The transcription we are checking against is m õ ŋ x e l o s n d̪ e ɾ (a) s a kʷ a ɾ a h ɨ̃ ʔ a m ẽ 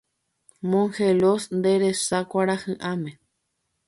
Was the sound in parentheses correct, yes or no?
no